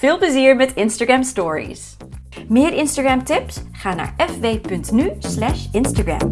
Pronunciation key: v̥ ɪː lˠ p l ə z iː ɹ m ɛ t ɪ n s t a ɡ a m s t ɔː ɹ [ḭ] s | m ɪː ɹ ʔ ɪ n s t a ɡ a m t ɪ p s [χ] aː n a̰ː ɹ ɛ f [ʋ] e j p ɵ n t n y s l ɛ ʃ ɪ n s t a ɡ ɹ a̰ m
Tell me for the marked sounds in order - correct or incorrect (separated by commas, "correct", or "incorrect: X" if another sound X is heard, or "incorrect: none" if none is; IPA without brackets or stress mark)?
correct, correct, correct